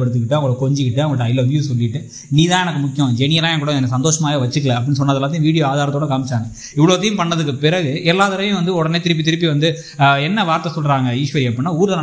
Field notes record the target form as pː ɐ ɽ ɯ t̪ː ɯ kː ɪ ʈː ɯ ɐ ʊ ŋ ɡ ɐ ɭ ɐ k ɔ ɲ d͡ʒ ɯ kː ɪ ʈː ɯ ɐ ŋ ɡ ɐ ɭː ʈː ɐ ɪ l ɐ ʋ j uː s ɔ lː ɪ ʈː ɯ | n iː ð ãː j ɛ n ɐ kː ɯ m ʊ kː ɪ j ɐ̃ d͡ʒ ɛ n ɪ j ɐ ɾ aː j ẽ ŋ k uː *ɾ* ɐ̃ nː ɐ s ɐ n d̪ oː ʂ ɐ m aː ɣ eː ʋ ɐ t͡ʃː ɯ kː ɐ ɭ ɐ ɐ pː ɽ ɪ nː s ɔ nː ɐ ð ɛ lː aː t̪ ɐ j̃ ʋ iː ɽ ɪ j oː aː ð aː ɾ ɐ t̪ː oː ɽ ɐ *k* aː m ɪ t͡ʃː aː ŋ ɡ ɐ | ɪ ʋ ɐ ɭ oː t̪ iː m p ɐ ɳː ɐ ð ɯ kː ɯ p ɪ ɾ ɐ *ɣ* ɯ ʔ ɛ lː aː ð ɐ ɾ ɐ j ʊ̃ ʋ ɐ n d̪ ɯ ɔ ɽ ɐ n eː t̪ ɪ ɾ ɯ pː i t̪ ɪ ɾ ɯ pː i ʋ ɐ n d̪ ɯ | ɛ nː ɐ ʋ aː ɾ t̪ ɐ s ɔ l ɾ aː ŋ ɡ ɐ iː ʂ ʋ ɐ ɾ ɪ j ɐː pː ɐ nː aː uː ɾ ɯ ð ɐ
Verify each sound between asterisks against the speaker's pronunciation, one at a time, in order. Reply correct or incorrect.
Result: incorrect, correct, correct

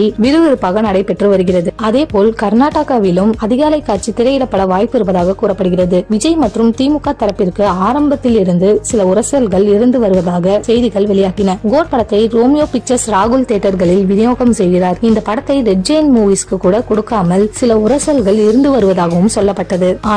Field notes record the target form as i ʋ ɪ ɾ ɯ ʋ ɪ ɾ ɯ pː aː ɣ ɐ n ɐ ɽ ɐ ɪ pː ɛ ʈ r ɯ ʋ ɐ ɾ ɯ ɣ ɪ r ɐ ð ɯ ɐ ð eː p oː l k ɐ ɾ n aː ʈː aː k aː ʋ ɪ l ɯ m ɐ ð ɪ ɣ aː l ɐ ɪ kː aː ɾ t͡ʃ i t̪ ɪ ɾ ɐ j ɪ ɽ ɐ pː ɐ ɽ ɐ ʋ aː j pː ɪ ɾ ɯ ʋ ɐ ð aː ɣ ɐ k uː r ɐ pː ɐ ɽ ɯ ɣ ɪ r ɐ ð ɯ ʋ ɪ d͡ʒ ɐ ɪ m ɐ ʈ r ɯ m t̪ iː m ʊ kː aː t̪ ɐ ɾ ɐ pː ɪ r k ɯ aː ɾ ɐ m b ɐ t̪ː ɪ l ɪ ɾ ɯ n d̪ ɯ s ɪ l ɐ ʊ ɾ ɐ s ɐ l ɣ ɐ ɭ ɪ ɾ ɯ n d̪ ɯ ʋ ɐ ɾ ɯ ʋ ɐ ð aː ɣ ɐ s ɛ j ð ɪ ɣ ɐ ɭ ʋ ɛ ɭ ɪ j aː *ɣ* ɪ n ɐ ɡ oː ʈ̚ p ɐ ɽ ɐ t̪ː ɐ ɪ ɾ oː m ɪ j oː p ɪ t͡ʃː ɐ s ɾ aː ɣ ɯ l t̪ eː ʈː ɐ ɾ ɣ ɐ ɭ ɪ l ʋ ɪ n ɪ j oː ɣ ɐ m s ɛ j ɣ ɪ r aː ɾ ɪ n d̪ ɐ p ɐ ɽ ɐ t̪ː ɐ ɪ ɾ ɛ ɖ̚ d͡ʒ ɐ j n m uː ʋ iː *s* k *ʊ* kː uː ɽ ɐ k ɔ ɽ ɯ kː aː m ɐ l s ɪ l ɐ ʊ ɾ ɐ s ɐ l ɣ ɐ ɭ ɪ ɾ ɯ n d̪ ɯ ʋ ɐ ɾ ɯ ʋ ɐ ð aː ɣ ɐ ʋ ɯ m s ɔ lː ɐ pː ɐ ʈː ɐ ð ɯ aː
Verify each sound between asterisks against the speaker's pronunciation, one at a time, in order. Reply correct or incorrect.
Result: correct, correct, incorrect

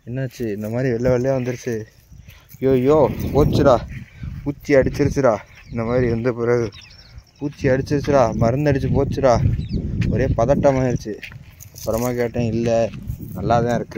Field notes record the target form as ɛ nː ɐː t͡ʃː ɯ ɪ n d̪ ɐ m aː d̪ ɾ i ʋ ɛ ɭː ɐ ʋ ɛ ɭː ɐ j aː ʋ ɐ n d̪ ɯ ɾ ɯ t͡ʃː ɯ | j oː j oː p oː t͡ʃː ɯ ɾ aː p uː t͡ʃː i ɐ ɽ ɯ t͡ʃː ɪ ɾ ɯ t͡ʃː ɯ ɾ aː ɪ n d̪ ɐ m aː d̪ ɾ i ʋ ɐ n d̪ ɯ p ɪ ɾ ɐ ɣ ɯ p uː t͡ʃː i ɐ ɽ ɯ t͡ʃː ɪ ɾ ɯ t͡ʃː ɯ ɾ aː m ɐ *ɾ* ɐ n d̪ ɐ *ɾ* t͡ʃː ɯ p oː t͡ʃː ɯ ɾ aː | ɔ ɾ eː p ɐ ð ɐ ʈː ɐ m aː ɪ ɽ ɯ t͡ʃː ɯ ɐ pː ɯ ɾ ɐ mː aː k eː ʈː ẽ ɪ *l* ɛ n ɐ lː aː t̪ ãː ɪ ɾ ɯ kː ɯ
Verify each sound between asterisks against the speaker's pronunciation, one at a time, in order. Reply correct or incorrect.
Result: correct, incorrect, incorrect

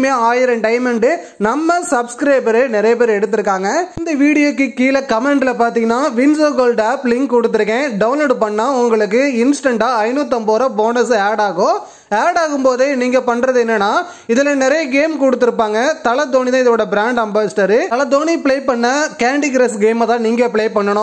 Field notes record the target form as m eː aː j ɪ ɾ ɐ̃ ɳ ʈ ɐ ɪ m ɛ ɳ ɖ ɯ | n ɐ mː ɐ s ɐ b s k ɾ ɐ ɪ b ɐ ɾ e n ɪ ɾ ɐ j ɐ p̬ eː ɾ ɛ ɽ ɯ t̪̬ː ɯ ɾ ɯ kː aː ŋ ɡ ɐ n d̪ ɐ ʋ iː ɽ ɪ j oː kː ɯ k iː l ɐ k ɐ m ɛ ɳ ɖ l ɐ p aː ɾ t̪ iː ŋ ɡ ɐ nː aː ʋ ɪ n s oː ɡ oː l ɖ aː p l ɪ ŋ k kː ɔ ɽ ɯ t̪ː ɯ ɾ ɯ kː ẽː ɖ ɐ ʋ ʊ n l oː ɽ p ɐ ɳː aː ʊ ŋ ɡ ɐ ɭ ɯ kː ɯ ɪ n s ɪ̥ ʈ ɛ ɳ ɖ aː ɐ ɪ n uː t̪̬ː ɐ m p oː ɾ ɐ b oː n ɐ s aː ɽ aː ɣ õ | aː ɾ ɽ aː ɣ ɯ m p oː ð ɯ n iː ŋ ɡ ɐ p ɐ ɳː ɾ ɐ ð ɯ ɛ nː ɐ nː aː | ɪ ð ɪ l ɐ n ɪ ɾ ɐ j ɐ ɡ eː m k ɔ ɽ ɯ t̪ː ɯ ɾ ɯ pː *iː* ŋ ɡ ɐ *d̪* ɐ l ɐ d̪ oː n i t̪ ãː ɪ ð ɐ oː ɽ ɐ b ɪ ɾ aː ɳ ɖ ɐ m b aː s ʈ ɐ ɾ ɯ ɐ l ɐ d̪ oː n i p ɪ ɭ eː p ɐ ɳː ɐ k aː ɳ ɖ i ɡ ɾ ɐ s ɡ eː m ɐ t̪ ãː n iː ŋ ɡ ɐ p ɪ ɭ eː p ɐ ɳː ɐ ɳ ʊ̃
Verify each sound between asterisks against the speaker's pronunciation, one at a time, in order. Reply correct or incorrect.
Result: incorrect, incorrect

